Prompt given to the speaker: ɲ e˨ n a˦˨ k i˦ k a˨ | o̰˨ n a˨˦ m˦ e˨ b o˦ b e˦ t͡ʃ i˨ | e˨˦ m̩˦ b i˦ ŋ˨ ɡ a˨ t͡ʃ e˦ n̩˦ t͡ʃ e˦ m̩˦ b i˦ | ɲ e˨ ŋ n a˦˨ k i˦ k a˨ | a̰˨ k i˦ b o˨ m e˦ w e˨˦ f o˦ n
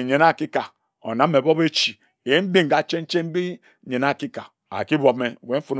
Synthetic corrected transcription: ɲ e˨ n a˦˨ k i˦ k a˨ | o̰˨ n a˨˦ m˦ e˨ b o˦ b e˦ t͡ʃ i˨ | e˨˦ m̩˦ b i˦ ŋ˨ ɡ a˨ t͡ʃ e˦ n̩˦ t͡ʃ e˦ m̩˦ b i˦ | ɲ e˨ n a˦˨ k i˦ k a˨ | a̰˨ k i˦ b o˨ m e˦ w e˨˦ f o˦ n